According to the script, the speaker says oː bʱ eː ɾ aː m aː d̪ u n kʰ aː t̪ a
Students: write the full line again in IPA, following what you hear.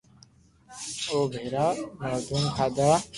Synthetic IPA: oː bʱ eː ɾ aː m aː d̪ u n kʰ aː d̪ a